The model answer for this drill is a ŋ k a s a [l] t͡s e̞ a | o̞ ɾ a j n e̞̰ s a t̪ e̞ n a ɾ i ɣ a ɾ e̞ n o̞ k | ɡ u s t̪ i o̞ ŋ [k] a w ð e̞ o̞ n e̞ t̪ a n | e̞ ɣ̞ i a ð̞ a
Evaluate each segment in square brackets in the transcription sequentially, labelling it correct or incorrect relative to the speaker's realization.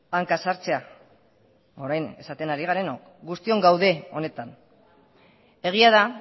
incorrect, incorrect

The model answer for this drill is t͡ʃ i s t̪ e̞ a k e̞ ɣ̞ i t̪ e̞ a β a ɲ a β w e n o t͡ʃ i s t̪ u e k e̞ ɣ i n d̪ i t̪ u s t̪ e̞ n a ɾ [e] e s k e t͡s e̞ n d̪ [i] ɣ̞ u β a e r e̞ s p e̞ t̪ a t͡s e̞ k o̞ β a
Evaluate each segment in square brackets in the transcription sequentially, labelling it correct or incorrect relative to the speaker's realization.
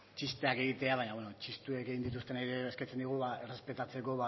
correct, correct

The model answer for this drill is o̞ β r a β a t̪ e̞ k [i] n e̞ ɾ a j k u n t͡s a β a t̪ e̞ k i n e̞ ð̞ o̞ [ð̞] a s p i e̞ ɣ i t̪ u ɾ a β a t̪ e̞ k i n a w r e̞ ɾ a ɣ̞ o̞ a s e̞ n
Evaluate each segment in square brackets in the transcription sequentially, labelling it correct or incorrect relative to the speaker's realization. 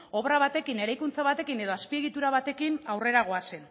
correct, incorrect

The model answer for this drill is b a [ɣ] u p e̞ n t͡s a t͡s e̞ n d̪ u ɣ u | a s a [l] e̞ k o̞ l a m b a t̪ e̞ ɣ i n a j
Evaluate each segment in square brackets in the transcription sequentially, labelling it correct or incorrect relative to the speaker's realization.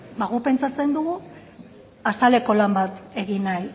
correct, correct

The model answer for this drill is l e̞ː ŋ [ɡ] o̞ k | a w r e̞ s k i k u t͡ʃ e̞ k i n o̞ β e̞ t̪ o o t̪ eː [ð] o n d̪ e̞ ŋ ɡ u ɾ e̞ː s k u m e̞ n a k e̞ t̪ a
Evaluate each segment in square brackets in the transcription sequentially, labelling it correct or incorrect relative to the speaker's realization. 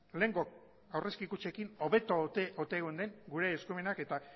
correct, incorrect

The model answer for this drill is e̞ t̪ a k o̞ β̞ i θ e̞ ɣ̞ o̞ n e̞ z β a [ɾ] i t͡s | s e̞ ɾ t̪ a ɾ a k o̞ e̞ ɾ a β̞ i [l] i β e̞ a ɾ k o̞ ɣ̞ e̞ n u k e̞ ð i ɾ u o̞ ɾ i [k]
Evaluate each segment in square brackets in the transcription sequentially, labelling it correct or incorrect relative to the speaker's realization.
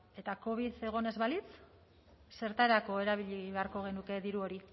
incorrect, incorrect, incorrect

